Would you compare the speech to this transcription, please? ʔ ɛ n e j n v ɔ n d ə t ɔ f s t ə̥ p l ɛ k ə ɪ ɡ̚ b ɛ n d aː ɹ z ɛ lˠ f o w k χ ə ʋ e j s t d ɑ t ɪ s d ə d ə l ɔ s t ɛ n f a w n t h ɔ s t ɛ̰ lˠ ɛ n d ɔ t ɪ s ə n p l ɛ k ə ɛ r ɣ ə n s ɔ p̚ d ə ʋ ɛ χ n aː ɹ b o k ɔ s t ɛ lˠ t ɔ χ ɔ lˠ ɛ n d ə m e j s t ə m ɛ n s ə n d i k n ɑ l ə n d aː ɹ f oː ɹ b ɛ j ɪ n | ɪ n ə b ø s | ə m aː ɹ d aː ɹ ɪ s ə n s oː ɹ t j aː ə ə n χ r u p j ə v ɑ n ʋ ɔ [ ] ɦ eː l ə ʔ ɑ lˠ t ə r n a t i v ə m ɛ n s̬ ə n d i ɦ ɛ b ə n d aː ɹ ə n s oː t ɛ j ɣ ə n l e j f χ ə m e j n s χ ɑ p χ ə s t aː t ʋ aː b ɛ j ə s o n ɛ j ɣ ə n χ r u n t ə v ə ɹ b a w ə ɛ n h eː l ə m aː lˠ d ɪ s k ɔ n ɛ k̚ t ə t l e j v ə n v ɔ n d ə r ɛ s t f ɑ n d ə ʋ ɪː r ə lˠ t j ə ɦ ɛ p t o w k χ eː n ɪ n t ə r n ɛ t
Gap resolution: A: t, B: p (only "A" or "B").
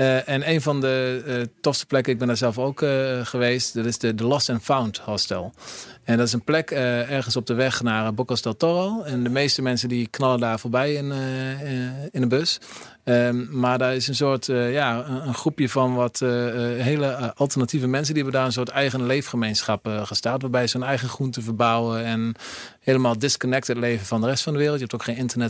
A